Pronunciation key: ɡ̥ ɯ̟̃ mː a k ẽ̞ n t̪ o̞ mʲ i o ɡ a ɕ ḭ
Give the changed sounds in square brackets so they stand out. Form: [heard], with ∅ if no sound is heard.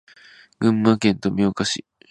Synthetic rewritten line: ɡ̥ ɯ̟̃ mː a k ẽ̞ n t̪ o̞ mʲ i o [k] a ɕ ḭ